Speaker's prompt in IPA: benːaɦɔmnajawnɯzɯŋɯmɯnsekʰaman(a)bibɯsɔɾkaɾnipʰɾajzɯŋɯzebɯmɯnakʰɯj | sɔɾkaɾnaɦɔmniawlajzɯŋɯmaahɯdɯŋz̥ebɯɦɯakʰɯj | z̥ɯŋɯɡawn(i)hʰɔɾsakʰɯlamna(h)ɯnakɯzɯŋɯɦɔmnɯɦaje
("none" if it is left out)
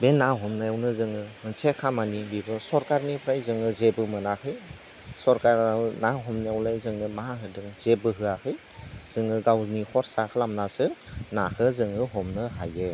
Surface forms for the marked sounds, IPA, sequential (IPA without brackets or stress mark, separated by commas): i, i, s